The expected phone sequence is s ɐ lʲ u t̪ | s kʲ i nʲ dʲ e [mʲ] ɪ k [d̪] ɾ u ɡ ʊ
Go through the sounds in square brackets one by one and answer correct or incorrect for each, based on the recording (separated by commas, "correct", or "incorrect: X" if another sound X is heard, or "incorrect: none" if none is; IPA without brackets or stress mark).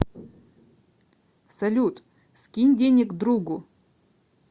incorrect: nʲ, correct